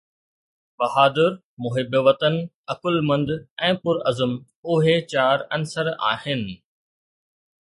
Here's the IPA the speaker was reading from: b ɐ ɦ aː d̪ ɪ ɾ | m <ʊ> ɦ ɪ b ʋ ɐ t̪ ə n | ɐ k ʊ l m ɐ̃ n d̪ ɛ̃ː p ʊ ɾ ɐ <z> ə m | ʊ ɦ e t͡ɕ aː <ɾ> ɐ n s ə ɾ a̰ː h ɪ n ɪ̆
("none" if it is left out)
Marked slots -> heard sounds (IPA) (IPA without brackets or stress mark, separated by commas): ʊ, z, ɾ